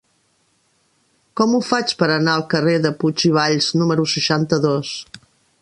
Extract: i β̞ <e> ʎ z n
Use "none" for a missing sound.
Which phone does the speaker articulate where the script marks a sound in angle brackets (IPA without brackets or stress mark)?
a